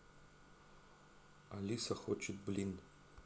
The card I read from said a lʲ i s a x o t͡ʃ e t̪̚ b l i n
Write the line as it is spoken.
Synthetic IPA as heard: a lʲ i s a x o t͡ʃ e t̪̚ b l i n